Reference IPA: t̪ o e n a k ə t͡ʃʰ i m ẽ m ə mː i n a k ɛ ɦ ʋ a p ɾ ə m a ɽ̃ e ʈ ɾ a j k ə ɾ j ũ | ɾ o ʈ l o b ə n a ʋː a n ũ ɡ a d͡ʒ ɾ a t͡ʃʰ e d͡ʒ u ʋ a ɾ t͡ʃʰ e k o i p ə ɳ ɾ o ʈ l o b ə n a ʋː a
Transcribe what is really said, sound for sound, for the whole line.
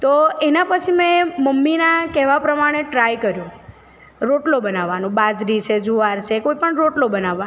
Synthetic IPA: t̪ o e n a p ə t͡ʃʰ i m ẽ m ə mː i n a k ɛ ɦ ʋ a p ɾ ə m a ɽ̃ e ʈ ɾ a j k ə ɾ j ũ | ɾ o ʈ l o b ə n a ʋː a n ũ b a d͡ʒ ɾ i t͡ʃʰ e d͡ʒ u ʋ a ɾ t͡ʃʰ e k o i p ə ɳ ɾ o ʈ l o b ə n a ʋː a